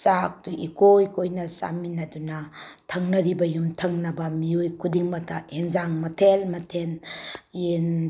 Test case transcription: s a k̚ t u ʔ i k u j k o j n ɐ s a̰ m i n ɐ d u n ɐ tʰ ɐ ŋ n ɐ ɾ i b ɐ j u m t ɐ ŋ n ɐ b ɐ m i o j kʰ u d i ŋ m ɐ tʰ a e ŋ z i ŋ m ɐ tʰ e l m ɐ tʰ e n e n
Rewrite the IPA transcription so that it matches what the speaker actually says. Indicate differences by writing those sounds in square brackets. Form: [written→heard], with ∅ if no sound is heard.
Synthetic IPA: s a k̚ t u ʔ i k [u→o] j k o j n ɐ s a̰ m i n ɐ d u n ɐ tʰ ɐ ŋ n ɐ ɾ i b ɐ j u m [t→tʰ] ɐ ŋ n ɐ b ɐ m i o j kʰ u d i ŋ m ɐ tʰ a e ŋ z [i→a] ŋ m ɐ tʰ e l m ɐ tʰ e n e n